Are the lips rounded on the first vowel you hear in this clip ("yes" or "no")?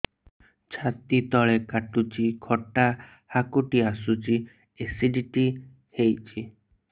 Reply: no